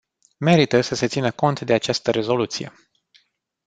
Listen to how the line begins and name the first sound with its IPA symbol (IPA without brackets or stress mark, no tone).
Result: m